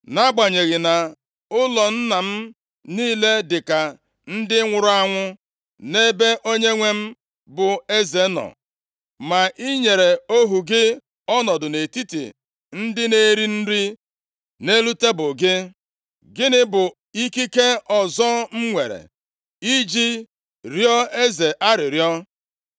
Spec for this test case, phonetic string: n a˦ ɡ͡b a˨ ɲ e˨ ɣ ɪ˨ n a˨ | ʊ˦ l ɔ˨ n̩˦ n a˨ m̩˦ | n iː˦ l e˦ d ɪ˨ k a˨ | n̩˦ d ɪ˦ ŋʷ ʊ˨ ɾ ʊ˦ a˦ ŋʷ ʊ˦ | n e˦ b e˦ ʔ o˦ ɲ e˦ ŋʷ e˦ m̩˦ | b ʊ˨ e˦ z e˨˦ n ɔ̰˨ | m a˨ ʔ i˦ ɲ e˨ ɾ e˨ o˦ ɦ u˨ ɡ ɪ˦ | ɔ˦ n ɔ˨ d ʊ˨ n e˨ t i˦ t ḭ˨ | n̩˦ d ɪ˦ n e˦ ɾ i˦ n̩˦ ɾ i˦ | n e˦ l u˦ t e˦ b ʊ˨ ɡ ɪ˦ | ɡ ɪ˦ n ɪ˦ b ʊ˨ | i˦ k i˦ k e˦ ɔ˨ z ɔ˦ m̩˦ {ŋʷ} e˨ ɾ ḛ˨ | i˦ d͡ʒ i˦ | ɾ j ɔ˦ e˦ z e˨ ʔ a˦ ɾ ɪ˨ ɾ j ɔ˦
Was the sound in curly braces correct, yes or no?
yes